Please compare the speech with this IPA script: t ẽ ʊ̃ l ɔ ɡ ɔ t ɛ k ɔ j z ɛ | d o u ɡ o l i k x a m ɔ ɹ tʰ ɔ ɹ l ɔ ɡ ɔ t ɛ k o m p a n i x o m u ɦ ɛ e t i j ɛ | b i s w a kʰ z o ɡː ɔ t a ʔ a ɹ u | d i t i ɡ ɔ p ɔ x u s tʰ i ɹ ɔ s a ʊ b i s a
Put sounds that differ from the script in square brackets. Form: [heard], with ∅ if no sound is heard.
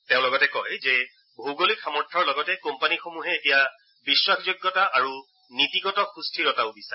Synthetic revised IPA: t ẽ ʊ̃ l ɔ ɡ ɔ t ɛ k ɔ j z ɛ | [b] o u ɡ o l i k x a m ɔ ɹ tʰ ɔ ɹ l ɔ ɡ ɔ t ɛ k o m p a n i x o m u ɦ ɛ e t i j [a] | b i s w a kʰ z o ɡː ɔ t a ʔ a ɹ u | [n] i t i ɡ ɔ [t] ɔ x u s tʰ i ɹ ɔ [t] a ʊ b i s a